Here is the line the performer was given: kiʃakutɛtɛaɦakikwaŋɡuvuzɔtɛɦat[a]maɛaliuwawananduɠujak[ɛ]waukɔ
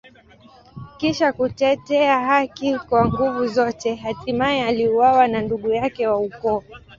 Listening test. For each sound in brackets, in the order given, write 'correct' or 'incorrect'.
incorrect, correct

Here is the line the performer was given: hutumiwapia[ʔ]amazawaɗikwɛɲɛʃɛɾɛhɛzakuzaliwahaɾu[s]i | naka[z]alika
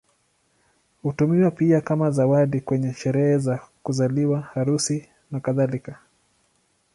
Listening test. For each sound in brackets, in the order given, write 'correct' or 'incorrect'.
incorrect, correct, incorrect

